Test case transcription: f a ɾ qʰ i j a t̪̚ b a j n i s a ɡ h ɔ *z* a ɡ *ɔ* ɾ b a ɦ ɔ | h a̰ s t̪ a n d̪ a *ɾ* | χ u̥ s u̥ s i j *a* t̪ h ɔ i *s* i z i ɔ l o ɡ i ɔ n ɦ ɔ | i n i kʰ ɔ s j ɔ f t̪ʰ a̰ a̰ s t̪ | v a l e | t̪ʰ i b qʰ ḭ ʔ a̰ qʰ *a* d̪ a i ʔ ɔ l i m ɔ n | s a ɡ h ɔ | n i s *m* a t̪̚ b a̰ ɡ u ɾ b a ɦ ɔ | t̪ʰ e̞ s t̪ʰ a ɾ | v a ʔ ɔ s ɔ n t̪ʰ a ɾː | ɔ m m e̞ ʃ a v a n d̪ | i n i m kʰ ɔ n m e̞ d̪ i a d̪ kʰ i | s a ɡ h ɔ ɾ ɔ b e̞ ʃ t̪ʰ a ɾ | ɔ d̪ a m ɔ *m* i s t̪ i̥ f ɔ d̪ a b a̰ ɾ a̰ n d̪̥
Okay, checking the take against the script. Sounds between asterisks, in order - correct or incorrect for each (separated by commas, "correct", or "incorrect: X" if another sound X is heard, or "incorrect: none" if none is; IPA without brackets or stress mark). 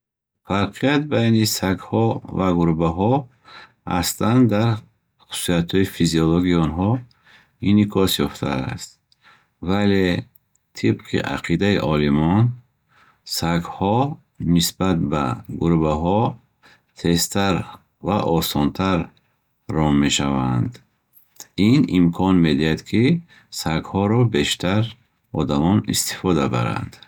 incorrect: v, incorrect: u, correct, correct, incorrect: f, incorrect: i, incorrect: b, incorrect: n